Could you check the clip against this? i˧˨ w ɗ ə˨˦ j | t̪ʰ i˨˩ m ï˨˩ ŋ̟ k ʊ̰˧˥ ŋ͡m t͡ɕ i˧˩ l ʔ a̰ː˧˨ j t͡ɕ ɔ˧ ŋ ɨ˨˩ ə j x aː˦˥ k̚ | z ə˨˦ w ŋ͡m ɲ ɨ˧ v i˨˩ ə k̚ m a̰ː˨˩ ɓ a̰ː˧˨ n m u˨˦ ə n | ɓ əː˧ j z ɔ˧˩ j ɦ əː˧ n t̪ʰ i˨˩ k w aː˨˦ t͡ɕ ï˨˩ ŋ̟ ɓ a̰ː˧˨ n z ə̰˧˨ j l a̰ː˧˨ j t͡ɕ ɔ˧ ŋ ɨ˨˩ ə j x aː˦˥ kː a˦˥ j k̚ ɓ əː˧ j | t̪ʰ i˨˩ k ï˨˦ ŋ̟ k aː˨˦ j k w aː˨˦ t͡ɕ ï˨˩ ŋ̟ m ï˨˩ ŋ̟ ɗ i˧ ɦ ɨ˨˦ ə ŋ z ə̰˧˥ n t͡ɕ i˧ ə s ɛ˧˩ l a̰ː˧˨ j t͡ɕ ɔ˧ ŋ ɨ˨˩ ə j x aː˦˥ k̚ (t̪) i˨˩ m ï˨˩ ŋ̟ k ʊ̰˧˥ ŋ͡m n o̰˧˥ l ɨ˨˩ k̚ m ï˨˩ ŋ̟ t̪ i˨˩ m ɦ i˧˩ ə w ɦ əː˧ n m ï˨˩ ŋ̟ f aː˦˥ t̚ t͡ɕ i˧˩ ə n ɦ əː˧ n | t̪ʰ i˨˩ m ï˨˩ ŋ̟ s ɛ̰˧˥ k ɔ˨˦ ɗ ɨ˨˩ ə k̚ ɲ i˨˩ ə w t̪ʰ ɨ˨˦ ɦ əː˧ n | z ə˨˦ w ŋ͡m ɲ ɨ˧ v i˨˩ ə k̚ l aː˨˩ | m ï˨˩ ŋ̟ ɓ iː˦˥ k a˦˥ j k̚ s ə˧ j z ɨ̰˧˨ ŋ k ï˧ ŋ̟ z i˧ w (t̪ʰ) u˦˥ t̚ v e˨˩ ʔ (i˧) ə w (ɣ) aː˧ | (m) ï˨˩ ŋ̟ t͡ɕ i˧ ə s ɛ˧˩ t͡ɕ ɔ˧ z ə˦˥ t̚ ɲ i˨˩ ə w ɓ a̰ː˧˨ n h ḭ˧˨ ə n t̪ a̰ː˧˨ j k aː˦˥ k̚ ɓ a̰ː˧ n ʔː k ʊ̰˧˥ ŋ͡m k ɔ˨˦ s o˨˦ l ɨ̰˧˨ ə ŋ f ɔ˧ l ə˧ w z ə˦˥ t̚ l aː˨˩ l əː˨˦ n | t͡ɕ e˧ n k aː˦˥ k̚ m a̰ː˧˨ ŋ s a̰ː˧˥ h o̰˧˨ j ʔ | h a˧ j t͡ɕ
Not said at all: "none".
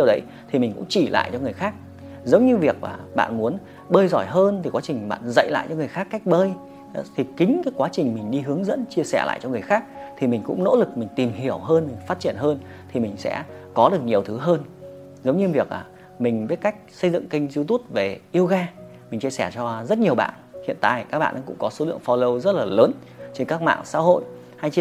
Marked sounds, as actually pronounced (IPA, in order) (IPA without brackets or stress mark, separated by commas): t̪ʰ, t̪, i˧, ɣ, m